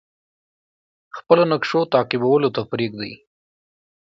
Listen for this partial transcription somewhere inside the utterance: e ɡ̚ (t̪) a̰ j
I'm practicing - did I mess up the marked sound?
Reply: yes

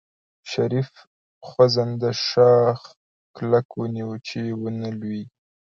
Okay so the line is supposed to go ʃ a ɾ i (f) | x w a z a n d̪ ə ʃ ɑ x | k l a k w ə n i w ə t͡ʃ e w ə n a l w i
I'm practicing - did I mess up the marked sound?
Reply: no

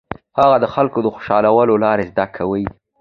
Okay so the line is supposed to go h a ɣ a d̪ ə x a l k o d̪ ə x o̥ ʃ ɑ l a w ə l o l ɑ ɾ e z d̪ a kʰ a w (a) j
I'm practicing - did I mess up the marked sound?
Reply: yes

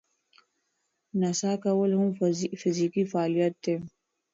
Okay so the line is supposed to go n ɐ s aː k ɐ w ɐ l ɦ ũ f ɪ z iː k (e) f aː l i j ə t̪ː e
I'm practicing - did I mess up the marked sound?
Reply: yes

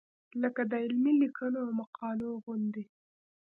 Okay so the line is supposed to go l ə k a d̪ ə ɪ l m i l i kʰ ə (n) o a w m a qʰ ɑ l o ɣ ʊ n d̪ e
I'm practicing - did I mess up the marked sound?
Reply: no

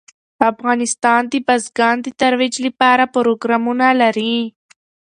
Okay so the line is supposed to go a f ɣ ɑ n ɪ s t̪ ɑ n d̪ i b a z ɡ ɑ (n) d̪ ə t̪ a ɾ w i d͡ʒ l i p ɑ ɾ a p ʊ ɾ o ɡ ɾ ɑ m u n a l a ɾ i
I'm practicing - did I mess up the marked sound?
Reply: no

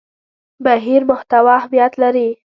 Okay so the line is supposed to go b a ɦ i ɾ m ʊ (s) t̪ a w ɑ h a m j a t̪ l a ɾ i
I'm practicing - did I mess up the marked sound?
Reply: yes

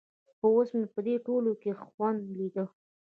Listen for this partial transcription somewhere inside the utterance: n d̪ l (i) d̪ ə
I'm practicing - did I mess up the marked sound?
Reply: no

